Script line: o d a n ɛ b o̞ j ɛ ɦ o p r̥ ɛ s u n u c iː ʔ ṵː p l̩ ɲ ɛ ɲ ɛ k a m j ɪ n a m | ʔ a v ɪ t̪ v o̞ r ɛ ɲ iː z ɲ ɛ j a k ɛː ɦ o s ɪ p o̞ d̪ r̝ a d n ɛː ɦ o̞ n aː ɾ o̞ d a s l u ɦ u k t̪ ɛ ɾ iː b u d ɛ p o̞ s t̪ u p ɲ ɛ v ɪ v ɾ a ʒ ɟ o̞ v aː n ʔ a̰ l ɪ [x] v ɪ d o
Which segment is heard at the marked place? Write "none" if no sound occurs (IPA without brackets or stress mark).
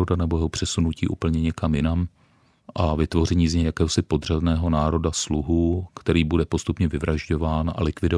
k